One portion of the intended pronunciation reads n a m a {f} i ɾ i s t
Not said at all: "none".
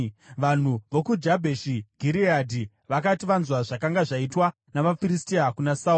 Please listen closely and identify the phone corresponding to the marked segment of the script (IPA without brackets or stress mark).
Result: f